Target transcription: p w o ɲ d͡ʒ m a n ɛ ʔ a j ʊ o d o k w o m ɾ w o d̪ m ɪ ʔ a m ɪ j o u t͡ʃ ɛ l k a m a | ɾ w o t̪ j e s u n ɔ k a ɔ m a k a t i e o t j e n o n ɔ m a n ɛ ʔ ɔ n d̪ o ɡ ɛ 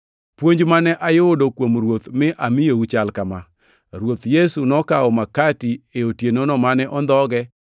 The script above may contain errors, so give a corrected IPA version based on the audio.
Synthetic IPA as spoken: p w o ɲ d͡ʒ m a n ɛ ʔ a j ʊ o d o k w o m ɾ w o t̪ m ɪ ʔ a m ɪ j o u t͡ʃ a l k a m a | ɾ w o t̪ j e s u n ɔ k a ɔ m a k a t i e o t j e n o n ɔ m a n ɛ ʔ ɔ n d̪ ɔ ɡ ɛ

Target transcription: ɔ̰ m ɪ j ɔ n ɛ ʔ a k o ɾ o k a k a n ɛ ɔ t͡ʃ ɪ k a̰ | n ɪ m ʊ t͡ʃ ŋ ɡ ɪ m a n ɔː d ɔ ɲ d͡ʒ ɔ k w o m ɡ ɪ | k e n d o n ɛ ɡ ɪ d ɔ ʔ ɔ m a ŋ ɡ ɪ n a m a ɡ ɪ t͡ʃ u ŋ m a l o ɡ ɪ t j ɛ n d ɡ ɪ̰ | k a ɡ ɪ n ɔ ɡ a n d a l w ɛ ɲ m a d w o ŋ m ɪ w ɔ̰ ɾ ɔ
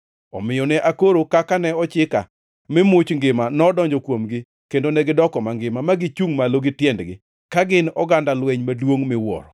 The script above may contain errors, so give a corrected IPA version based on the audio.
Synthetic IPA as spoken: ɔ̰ m ɪ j ɔ n ɛ ʔ a k o ɾ o k a k a n ɛ ɔ t͡ʃ ɪ k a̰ | m ɪ m ʊ t͡ʃ ŋ ɡ ɪ m a n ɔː d ɔ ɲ d͡ʒ ɔ k w o m ɡ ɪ | k e n d o n ɛ ɡ ɪ d ɔ k ɔ m a ŋ ɡ ɪ m a m a ɡ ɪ t͡ʃ u ŋ m a l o ɡ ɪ t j ɛ n d ɡ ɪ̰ | k a ɡ ɪ n ɔ ɡ a n d a l w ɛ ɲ m a d w o ŋ m ɪ w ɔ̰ ɾ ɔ

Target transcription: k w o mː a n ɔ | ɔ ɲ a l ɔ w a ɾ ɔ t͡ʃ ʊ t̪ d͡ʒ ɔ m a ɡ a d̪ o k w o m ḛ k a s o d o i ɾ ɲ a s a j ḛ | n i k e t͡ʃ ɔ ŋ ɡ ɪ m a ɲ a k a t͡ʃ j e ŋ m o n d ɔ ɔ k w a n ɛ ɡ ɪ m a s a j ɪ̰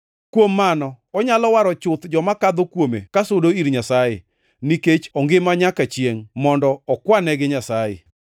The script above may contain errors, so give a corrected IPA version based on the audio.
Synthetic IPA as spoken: k w o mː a n ɔ | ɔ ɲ a l ɔ w a ɾ ɔ t͡ʃ ʊ t̪ d͡ʒ ɔ m a k a d̪ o k w o m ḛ k a s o d o i ɾ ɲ a s a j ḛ | n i k e t͡ʃ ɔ ŋ ɡ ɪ m a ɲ a k a t͡ʃ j e ŋ m ɔ n d ɔ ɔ k w a n ɛ ɡ ɪ ɲ a s a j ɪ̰

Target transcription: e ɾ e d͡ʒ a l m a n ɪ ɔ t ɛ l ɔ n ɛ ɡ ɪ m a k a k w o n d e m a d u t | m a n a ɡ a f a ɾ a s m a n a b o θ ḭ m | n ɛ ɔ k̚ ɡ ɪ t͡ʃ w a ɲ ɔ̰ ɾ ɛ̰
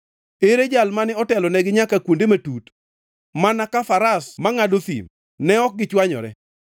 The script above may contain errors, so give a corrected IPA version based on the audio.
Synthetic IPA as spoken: e ɾ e d͡ʒ a l m a n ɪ ɔ t ɛ l ɔ n ɛ ɡ ɪ ɲ a k a k w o n d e m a t u t | m a n a k a f a ɾ a s m a ŋ a d o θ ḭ m | n ɛ ɔ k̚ ɡ ɪ t͡ʃ w a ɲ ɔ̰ ɾ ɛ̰

